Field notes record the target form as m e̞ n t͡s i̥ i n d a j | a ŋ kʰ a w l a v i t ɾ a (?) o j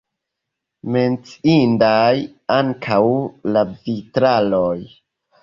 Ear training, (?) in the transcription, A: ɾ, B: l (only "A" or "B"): B